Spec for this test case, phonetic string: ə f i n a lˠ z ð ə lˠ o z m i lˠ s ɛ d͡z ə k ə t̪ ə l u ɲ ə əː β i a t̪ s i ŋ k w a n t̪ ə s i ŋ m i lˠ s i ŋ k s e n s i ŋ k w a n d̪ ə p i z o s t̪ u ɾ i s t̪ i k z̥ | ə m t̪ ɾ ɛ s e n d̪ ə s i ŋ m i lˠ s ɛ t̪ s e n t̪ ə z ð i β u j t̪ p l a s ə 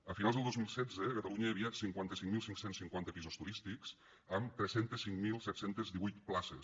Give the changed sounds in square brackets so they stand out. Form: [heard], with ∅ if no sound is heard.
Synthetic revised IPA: ə f i n a lˠ z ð ə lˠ o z m i lˠ s ɛ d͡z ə k ə t̪ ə l u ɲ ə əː β i a t̪ s i ŋ k w a n t̪ ə s i ŋ m i lˠ s i ŋ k s e n s i ŋ k w a n [t̪] ə p i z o s t̪ u ɾ i s t̪ i k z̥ | ə m t̪ ɾ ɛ s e n [t̪] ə s i ŋ m i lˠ s ɛ t̪ s e n t̪ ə z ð i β u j t̪ p l a s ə